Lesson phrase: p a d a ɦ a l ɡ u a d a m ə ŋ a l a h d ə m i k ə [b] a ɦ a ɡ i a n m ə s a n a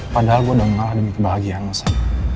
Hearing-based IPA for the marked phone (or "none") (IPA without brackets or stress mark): b